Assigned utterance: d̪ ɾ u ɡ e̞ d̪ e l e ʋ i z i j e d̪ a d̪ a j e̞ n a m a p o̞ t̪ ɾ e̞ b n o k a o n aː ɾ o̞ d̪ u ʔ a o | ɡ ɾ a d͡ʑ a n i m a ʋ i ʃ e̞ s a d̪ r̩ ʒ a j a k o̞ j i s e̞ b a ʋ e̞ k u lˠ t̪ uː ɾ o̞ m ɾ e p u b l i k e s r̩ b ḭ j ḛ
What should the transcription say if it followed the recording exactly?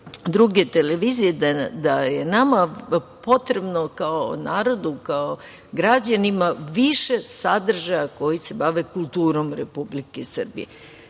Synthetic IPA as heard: d̪ ɾ u ɡ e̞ t̪ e l e ʋ i z i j e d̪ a d̪ a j e̞ n a m a p o̞ t̪ ɾ e̞ b n o k a o n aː ɾ o̞ d̪ u k a o | ɡ ɾ a d͡ʑ a n i m a ʋ i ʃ e̞ s a d̪ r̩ ʒ a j a k o̞ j i s e̞ b a ʋ e̞ k u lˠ t̪ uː ɾ o̞ m ɾ e p u b l i k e s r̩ b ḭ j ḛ